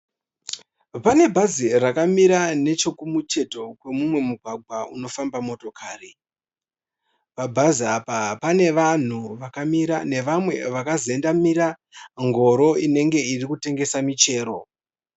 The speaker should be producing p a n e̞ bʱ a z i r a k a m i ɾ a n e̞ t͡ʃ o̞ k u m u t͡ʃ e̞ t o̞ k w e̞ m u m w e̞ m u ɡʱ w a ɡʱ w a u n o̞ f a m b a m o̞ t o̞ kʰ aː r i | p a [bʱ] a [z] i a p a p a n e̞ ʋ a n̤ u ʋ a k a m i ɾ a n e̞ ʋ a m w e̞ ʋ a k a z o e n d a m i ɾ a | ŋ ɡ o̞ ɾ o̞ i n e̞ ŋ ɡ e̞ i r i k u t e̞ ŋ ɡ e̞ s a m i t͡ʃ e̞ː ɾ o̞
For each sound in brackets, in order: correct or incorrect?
correct, correct

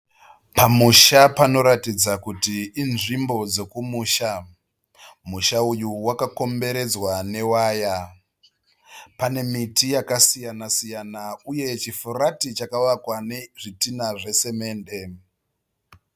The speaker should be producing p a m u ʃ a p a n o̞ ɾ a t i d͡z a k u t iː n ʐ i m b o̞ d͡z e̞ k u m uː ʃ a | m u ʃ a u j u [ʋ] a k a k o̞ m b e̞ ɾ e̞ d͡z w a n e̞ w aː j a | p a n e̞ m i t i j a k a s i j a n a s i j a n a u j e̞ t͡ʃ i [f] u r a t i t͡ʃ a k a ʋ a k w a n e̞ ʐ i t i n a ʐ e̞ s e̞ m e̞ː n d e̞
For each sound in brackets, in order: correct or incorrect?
incorrect: w, correct

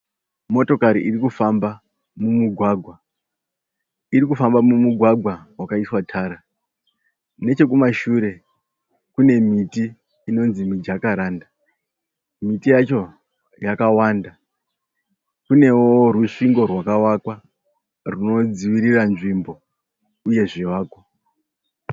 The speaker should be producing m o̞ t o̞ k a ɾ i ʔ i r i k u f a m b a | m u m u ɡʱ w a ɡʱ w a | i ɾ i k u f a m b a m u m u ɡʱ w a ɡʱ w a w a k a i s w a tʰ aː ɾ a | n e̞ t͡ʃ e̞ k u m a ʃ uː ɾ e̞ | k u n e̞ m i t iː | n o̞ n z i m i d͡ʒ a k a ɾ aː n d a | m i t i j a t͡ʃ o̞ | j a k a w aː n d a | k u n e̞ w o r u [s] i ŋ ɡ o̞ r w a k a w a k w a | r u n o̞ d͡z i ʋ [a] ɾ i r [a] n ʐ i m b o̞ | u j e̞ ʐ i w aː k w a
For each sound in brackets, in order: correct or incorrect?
incorrect: ʂ, incorrect: i, correct

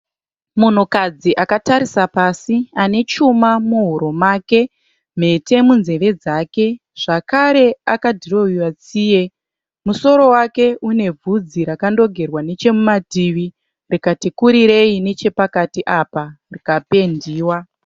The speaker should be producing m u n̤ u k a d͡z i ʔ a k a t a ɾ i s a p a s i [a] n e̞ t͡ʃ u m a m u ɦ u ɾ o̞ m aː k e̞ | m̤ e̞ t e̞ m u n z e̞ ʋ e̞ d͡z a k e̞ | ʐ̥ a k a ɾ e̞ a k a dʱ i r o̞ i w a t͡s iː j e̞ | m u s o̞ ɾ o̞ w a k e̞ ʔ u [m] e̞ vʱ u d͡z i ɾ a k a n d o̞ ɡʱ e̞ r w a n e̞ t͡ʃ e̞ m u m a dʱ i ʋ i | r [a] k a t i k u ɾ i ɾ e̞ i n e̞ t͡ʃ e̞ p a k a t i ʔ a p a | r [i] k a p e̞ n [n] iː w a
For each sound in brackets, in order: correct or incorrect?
correct, incorrect: n, incorrect: i, correct, incorrect: d

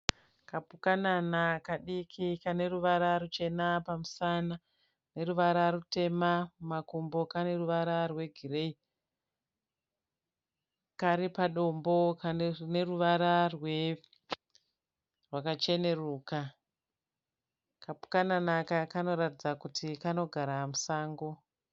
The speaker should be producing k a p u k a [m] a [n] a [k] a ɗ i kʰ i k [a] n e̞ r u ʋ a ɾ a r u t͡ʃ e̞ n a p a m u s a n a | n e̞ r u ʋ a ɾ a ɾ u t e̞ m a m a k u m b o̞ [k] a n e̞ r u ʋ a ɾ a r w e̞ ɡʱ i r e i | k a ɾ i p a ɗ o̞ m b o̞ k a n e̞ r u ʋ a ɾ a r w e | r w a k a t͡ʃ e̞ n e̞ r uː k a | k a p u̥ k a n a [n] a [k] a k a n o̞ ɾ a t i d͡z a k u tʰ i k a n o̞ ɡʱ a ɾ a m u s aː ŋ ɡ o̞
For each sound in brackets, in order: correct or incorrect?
incorrect: n, correct, correct, correct, correct, correct, correct

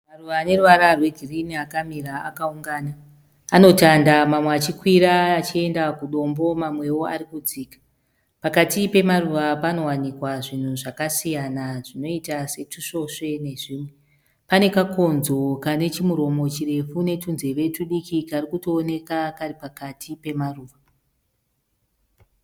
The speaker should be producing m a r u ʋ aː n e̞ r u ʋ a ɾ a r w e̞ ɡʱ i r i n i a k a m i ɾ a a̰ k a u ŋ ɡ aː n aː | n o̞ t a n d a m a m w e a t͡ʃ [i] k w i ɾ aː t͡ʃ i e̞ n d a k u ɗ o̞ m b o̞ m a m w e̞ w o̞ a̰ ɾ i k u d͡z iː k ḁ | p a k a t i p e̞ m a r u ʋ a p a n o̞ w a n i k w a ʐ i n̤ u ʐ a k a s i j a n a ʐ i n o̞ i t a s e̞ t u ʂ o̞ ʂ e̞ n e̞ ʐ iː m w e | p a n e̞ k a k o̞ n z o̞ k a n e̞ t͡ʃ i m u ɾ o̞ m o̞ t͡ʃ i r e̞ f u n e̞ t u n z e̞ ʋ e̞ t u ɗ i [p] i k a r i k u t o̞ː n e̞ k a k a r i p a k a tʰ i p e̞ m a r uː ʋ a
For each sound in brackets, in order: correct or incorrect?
correct, incorrect: k

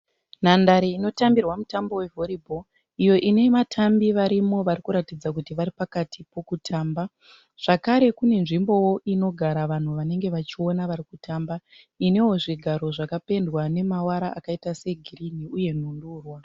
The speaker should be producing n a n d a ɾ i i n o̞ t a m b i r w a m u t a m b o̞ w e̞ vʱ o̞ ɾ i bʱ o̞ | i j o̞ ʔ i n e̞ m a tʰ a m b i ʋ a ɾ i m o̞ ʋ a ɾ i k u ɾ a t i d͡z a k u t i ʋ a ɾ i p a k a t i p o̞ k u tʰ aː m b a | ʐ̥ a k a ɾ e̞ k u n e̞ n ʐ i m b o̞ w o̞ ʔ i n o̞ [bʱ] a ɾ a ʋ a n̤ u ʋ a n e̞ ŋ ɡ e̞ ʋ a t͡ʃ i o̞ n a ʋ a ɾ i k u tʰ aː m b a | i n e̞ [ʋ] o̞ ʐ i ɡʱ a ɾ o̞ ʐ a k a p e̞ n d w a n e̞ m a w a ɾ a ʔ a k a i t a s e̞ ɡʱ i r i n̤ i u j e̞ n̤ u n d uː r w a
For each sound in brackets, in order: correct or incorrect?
incorrect: ɡʱ, incorrect: w

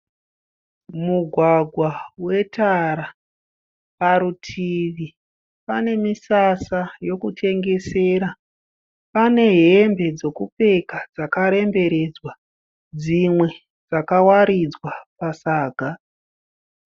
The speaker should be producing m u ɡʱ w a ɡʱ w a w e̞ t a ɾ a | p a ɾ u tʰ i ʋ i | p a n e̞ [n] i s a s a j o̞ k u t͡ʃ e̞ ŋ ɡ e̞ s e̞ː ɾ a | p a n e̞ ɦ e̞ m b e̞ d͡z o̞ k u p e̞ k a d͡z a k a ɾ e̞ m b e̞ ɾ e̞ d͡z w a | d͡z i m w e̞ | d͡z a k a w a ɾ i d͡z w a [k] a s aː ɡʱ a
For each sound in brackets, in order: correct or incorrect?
incorrect: m, incorrect: p

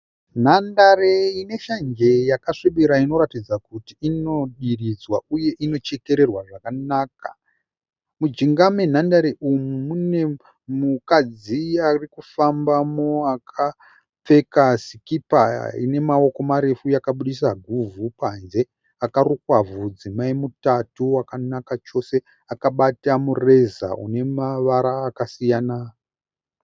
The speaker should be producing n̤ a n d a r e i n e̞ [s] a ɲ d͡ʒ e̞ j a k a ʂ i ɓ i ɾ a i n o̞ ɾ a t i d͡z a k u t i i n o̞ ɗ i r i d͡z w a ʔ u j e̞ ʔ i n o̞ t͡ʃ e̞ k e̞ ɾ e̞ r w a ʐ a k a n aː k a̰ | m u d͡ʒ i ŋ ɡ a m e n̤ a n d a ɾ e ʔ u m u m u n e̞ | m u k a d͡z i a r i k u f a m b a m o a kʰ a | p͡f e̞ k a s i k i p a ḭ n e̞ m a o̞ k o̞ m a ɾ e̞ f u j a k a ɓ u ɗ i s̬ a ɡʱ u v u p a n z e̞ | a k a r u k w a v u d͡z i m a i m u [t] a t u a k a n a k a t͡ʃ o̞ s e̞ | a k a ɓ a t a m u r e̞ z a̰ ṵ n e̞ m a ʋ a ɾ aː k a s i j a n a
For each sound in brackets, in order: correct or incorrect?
incorrect: ʃ, correct

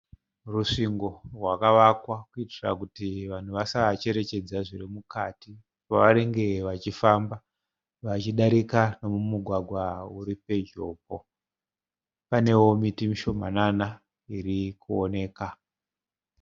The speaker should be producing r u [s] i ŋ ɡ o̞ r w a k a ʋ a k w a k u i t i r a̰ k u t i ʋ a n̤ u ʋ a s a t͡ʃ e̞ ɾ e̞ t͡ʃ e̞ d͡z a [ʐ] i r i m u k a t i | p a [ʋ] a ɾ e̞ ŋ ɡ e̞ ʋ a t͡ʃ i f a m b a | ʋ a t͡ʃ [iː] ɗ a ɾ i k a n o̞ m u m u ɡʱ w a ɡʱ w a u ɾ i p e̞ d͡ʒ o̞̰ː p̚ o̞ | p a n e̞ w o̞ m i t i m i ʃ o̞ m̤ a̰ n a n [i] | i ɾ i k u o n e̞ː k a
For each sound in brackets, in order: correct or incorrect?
incorrect: ʂ, correct, correct, incorrect: i, incorrect: a

